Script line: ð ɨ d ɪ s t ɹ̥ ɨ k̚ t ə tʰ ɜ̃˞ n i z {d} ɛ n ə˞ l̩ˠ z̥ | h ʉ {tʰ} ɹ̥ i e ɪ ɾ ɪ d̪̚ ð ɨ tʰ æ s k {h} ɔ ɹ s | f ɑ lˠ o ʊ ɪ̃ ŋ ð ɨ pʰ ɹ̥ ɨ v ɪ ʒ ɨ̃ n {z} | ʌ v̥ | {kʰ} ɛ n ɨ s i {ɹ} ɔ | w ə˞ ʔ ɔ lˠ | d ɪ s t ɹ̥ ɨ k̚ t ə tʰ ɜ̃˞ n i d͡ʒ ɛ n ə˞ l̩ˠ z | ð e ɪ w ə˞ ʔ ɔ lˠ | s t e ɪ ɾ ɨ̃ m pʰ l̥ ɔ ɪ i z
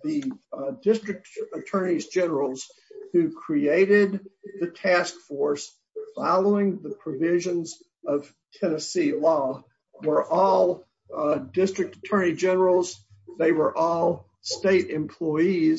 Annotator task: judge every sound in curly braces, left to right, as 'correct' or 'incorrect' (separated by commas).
incorrect, incorrect, incorrect, correct, incorrect, incorrect